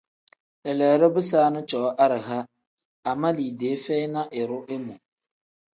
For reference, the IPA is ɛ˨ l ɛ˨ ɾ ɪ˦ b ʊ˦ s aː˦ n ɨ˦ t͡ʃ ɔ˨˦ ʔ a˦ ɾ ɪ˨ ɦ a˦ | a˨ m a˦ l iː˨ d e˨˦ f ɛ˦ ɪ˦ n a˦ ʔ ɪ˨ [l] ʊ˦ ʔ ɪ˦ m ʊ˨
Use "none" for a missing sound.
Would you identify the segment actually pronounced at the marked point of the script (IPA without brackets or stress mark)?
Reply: ɾ